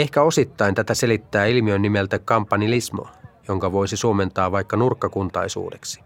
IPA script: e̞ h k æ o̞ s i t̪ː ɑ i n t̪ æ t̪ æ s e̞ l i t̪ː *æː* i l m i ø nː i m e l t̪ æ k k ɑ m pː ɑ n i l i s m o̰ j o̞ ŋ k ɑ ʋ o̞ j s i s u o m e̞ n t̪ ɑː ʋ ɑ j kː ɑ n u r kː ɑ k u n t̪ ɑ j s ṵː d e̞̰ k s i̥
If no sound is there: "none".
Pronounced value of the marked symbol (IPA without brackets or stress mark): æː